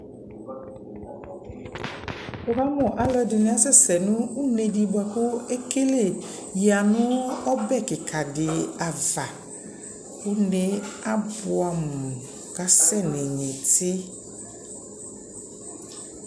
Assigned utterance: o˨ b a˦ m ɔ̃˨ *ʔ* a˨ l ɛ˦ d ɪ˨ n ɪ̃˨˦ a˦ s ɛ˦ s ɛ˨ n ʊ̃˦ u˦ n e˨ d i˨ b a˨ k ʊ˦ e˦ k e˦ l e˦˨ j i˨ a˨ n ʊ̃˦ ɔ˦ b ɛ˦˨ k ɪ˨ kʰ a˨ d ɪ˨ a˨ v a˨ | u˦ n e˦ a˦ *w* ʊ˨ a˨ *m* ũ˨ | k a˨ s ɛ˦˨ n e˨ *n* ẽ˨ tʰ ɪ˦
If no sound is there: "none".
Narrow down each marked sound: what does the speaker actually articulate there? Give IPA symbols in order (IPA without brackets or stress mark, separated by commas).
ʔ, b, m, ɲ